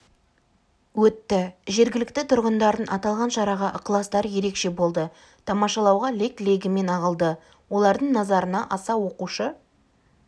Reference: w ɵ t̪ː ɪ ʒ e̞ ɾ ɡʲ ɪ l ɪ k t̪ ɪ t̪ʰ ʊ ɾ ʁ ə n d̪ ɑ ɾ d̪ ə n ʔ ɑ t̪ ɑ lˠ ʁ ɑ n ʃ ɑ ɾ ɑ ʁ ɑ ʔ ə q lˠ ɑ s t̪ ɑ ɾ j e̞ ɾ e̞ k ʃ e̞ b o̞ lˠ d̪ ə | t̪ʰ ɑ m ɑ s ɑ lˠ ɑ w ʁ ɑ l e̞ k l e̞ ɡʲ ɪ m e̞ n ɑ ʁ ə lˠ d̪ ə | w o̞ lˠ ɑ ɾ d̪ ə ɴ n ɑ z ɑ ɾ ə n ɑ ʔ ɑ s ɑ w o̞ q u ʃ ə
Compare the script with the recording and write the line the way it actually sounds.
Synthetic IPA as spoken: w ɵ t̪ː ɪ ʒ e̞ ɾ ɡʲ ɪ l ɪ k t̪ ɪ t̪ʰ ʊ ɾ ʁ ə n d̪ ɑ ɾ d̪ ə n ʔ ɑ t̪ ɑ lˠ ʁ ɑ n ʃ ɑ ɾ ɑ ʁ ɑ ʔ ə q lˠ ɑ s t̪ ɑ ɾ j e̞ ɾ e̞ k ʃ e̞ b o̞ lˠ d̪ ə | t̪ʰ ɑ m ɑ ʃ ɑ lˠ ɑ w ʁ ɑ l e̞ k l e̞ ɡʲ ɪ m e̞ n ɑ ʁ ə lˠ d̪ ə | w o̞ lˠ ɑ ɾ d̪ ə ɴ n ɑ z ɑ ɾ ə n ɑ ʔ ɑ s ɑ w o̞ q u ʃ ə